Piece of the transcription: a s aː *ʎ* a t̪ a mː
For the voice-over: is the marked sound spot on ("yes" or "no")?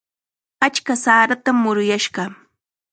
no